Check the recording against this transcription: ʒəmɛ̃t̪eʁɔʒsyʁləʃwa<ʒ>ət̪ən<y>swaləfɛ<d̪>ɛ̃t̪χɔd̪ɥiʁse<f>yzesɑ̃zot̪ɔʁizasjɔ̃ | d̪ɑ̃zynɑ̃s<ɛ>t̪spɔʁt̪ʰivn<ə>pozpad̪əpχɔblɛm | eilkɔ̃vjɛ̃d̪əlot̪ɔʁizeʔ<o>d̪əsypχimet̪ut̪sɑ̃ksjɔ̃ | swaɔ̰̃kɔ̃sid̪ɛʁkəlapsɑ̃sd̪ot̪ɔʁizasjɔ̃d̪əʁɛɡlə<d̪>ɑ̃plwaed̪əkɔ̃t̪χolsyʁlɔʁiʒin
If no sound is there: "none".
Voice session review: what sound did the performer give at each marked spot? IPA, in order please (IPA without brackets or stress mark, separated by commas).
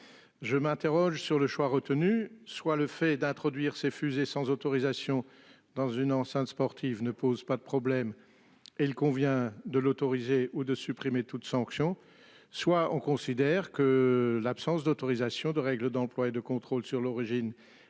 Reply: ʁ, y, d̪, f, ɛ̃, ə, u, d̪